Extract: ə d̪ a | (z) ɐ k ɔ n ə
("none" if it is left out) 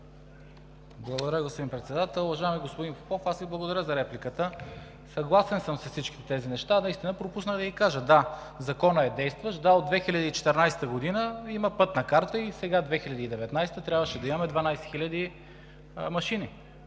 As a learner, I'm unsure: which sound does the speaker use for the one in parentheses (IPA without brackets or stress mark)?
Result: z